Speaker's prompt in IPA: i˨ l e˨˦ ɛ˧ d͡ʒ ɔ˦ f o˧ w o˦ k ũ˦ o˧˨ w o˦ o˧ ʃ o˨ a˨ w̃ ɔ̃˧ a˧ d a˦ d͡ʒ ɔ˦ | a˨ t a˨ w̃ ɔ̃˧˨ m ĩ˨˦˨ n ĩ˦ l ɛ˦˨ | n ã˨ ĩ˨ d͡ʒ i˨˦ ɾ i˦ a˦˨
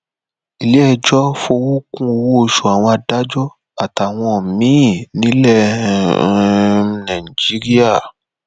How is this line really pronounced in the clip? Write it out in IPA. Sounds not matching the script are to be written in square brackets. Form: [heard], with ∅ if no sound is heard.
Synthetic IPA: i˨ l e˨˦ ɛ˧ d͡ʒ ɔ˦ f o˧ w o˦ k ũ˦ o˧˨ w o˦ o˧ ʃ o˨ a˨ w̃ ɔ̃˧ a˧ d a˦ d͡ʒ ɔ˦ | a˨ t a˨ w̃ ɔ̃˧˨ m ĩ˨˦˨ n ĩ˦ l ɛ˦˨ | n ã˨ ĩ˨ d͡ʒ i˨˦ ɾ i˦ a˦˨